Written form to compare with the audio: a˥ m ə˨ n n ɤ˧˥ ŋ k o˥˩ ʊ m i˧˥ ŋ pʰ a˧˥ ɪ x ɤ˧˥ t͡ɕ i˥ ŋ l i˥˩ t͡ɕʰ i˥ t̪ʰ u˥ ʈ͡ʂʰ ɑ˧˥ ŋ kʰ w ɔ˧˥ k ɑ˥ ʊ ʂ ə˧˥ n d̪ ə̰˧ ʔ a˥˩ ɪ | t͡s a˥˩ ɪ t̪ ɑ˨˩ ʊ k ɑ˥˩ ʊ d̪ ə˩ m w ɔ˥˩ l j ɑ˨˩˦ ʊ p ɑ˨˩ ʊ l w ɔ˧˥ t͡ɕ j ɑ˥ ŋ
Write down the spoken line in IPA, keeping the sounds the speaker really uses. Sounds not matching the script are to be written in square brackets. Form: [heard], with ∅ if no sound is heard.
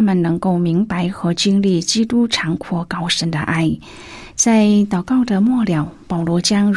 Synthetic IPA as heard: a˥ m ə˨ n n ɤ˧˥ ŋ k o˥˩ ʊ m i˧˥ ŋ [p] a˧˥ ɪ x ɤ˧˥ t͡ɕ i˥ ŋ l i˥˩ [t͡ɕ] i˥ [t̪] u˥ ʈ͡ʂʰ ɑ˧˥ ŋ kʰ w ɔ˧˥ k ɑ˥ ʊ ʂ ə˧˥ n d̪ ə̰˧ ʔ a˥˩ ɪ | t͡s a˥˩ ɪ t̪ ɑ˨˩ ʊ k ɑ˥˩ ʊ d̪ ə˩ m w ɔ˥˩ l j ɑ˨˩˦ ʊ p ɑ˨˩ ʊ l w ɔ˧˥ t͡ɕ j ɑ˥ ŋ